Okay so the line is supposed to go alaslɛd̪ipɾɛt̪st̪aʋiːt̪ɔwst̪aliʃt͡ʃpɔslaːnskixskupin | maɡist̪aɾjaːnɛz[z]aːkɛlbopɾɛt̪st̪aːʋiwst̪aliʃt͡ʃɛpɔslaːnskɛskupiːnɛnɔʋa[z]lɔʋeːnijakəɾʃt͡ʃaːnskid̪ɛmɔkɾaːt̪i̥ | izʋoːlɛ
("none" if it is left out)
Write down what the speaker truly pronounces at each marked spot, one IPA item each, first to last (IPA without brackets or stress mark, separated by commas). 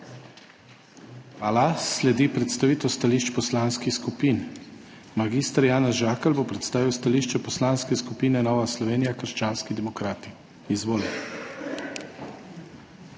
ʒ, s